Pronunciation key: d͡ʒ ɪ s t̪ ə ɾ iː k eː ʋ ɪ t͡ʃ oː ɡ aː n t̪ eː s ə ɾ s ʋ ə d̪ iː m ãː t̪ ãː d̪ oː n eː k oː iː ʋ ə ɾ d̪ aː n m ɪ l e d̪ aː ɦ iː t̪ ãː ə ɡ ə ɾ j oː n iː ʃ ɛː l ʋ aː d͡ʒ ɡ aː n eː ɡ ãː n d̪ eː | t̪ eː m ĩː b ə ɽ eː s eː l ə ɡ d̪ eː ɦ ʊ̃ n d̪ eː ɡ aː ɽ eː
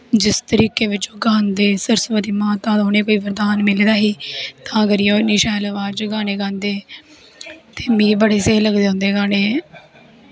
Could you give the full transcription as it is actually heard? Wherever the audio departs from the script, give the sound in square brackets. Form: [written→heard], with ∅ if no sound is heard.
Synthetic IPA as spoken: d͡ʒ ɪ s t̪ ə ɾ iː k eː ʋ ɪ t͡ʃ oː ɡ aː n [t̪→d̪] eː s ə ɾ s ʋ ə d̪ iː m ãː t̪ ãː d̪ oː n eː k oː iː ʋ ə ɾ d̪ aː n m ɪ l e d̪ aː ɦ iː t̪ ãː ə ɡ ə ɾ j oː n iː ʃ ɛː l ʋ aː d͡ʒ ɡ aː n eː ɡ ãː n d̪ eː | t̪ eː m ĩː b ə ɽ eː s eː l ə ɡ d̪ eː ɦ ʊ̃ n d̪ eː ɡ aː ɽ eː